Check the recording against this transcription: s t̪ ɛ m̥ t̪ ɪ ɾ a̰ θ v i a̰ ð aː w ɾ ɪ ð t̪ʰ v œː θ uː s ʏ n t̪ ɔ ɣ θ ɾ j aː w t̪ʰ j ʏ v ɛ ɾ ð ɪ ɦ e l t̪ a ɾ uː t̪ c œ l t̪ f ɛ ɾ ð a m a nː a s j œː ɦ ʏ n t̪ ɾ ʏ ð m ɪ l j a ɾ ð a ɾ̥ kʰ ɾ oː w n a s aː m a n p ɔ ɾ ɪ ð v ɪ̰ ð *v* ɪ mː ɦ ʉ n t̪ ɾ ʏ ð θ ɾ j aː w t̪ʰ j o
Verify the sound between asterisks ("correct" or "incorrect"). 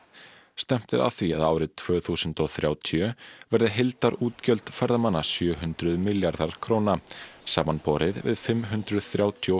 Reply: incorrect